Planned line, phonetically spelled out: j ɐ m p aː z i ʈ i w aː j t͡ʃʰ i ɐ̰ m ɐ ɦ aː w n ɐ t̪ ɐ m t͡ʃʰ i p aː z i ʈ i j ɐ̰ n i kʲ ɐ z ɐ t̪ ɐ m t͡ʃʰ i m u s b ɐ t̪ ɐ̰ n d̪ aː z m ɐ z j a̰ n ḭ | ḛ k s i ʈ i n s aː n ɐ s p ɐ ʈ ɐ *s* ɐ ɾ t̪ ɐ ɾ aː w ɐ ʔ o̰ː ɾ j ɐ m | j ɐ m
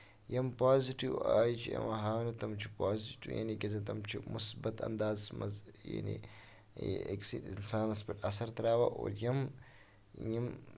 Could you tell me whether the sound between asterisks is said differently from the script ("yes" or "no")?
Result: no